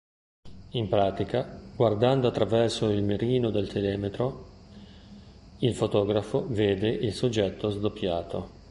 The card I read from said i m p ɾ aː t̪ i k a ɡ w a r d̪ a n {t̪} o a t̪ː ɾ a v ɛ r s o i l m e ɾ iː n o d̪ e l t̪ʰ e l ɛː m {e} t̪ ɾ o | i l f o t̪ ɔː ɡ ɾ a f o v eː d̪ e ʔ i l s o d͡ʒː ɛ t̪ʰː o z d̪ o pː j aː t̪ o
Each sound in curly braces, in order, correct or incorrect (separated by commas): incorrect, correct